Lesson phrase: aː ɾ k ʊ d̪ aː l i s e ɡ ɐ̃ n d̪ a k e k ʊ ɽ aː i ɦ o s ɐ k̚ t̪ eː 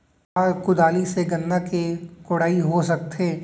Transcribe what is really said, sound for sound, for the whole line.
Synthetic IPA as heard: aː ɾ k ʊ d̪ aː l i s e ɡ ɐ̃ n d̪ a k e k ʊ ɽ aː i ɦ o s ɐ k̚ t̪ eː